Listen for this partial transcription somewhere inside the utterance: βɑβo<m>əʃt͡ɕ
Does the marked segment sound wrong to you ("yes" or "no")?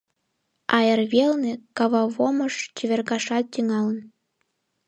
no